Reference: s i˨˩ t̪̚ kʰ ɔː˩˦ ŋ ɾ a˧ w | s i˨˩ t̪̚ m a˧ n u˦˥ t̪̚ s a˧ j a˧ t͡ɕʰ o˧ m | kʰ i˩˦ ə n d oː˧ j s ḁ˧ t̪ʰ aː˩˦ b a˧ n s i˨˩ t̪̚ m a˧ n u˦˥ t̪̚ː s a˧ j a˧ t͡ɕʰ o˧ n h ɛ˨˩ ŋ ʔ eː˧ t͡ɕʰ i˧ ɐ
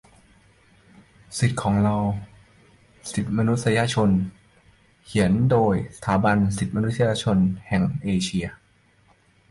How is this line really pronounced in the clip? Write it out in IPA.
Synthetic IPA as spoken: s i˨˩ t̪̚ kʰ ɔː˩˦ ŋ ɾ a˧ w | s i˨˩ t̪̚ m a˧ n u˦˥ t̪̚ s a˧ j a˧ t͡ɕʰ o˧ n | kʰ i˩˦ ə n d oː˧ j s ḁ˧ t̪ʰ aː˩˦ b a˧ n s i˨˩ t̪̚ m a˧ n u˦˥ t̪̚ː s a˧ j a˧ t͡ɕʰ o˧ n h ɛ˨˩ ŋ ʔ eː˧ t͡ɕʰ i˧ ɐ